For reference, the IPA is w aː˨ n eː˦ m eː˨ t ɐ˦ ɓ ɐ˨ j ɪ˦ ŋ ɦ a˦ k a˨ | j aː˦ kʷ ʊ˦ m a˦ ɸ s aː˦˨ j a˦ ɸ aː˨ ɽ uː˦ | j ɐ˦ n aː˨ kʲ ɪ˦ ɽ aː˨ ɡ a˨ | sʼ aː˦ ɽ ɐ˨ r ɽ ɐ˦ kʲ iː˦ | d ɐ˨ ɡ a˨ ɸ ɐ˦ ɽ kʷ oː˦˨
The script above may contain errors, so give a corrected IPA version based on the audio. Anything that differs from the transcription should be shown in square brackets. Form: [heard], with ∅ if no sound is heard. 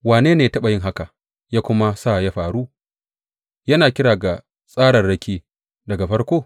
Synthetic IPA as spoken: w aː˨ n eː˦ [n] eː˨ t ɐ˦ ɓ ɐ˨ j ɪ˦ ŋ ɦ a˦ k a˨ | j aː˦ kʷ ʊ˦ m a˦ [∅] s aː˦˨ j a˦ ɸ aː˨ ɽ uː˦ | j ɐ˦ n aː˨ kʲ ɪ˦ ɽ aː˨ ɡ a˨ | sʼ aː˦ ɽ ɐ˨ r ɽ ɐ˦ kʲ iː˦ | d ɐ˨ ɡ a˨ ɸ ɐ˦ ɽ kʷ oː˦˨